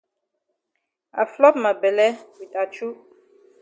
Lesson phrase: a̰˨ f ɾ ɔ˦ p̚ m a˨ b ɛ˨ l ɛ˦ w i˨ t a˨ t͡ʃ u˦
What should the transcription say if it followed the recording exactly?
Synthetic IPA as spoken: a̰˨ f l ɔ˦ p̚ m a˨ b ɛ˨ l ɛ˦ w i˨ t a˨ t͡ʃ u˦